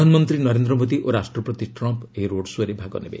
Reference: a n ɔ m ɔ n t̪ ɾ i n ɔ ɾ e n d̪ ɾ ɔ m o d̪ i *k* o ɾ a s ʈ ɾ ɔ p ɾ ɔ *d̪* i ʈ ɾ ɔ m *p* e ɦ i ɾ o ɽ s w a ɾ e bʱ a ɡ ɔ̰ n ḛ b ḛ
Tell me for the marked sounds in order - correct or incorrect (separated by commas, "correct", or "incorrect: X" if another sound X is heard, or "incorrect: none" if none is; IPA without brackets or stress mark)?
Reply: incorrect: ʔ, incorrect: t̪, correct